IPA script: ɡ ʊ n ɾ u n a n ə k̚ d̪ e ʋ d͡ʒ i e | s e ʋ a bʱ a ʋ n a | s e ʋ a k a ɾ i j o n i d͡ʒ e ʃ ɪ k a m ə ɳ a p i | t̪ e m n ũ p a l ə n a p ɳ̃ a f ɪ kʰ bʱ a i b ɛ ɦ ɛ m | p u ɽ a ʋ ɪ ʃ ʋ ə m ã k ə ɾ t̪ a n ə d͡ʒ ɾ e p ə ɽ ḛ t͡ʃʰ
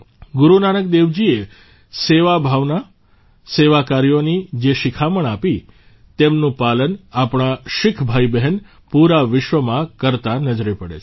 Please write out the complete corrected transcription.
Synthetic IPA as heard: ɡ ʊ ɾ u n a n ə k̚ d̪ e ʋ d͡ʒ i e | s e ʋ a bʱ a ʋ n a | s e ʋ a k a ɾ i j o n i d͡ʒ e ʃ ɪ kʰ a m ə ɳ a p i | t̪ e m n ũ p a l ə n a p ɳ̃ a ʃ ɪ kʰ bʱ a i b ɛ ɦ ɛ n | p u ɾ a ʋ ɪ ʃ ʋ ə m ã k ə ɾ t̪ a n ə d͡ʒ ɾ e p ə ɽ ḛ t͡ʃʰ